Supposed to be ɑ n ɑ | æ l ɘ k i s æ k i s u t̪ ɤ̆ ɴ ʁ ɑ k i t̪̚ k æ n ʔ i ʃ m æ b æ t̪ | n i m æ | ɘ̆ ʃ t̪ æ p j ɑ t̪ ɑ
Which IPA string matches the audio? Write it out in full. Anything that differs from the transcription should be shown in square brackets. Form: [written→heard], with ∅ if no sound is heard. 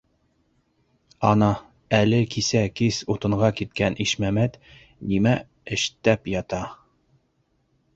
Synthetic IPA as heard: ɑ n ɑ | æ l ɘ k i s æ k i s u t̪ ɤ̆ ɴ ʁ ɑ k i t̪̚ k æ n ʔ i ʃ m æ [b→m] æ t̪ | n i m æ | ɘ̆ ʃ t̪ æ p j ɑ t̪ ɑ